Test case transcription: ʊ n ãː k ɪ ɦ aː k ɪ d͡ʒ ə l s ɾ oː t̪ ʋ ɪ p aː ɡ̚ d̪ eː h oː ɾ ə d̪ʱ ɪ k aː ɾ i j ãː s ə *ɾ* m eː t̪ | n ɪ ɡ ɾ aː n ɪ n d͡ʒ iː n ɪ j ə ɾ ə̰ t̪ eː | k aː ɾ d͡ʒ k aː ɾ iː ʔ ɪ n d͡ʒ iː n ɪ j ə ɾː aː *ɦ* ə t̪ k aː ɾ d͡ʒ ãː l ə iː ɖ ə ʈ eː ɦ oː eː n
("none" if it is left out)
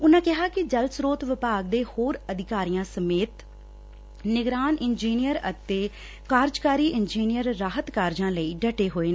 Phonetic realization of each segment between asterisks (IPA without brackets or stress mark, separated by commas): none, ɦ